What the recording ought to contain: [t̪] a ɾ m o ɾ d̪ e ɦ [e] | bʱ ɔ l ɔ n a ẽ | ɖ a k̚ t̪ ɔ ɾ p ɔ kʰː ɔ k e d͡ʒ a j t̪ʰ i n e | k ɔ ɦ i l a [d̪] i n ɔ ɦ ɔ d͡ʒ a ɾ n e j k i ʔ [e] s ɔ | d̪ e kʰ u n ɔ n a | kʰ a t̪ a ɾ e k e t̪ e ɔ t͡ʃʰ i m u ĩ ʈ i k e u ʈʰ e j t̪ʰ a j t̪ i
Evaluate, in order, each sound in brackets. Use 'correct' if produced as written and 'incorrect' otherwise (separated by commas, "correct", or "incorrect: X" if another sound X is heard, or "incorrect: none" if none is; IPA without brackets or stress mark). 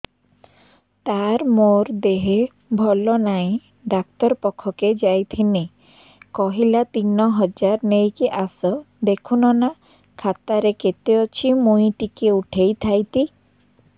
correct, correct, incorrect: t̪, incorrect: a